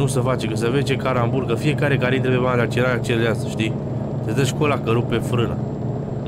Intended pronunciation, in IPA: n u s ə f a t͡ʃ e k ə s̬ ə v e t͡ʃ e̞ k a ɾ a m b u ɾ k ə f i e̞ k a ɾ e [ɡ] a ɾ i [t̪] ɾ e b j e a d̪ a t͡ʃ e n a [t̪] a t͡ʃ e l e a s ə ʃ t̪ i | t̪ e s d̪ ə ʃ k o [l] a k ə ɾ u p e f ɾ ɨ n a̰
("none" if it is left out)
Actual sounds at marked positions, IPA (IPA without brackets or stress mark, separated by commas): k, t̪, none, l